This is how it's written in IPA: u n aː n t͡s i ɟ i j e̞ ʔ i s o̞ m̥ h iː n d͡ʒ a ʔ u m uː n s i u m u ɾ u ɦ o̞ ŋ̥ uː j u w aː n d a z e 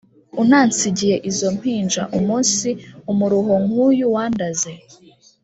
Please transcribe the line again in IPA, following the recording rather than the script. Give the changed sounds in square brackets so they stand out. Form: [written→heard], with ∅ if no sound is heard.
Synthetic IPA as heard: u n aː n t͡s i ɟ i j e̞ ʔ i [s→z] o̞ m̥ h iː n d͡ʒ a ʔ u m uː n s i u m u ɾ u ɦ o̞ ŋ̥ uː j u w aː n d a z e